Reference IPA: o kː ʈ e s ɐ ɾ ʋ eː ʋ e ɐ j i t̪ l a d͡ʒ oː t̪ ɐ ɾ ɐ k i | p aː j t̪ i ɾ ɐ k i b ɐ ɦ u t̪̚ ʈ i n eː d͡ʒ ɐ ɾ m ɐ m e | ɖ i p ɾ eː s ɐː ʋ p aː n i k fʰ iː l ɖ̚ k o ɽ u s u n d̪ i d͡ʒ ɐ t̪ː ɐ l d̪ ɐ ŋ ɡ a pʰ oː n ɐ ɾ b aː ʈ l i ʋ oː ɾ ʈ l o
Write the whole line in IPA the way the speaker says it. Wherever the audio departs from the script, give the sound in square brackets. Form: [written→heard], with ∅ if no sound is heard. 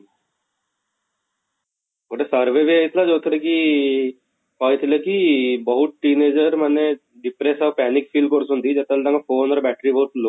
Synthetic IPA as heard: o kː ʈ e s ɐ ɾ ʋ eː ʋ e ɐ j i t̪ l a d͡ʒ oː t̪ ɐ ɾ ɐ k i | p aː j t̪ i [ɾ→l] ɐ k i b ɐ ɦ u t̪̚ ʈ i n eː d͡ʒ ɐ ɾ m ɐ [m→n] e | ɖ i p ɾ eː s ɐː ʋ p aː n i k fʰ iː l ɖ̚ k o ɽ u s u n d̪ i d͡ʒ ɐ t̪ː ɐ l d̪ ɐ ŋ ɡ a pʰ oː n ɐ ɾ b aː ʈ [l→ɾ] i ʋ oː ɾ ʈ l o